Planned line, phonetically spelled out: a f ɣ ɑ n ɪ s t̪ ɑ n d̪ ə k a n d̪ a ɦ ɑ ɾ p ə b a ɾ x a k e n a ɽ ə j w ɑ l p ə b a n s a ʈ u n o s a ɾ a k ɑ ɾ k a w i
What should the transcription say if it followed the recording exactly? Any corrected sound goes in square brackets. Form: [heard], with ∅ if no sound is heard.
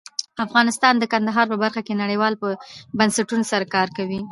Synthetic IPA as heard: a f ɣ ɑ n ɪ s t̪ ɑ n d̪ ə k a n d̪ a ɦ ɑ ɾ p ə b a ɾ x a k e n a ɽ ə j w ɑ l p ə b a n s a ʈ u n o s a ɾ a k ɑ ɾ k a w i